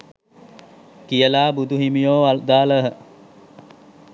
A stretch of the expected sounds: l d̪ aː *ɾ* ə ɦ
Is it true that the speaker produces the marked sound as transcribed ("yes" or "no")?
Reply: no